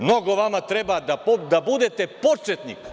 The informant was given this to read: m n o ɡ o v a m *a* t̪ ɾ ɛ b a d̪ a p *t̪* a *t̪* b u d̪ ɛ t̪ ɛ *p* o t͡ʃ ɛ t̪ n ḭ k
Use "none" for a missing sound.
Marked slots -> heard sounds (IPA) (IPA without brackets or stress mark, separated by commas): a, d̪, none, p